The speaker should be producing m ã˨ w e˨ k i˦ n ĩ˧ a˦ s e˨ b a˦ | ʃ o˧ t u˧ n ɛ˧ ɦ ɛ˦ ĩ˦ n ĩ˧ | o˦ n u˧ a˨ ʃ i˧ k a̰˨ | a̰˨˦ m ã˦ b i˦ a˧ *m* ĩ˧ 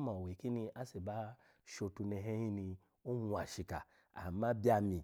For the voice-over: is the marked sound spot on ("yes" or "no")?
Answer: yes